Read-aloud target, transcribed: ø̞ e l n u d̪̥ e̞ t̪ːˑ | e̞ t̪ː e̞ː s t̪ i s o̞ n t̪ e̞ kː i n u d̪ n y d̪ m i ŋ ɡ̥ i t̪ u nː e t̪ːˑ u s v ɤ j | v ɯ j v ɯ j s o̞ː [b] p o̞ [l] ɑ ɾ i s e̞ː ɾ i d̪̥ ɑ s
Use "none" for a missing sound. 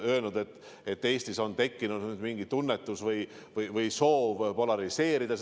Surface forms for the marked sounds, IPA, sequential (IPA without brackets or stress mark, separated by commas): v, l